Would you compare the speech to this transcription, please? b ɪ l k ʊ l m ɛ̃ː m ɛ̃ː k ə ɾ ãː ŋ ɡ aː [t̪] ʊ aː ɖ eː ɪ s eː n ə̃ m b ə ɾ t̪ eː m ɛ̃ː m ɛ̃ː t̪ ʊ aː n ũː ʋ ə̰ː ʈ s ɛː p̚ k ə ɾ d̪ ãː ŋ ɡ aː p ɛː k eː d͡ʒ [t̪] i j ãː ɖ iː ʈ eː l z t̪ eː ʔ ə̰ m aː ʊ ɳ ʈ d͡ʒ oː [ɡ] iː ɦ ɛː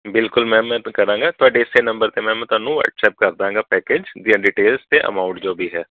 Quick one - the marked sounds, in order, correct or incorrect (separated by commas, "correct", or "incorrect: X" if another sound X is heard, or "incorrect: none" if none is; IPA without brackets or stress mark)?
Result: correct, incorrect: d̪, incorrect: b